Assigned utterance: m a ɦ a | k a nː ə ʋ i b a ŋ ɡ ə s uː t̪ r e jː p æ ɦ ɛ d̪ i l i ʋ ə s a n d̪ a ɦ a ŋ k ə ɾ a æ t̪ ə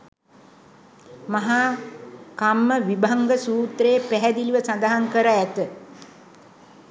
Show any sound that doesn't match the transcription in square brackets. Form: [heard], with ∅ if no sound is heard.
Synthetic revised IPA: m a ɦ a | k a [mː] ə ʋ i b a ŋ ɡ ə s uː t̪ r e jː p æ ɦ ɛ d̪ i l i ʋ ə s a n d̪ a ɦ a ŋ k ə ɾ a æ t̪ ə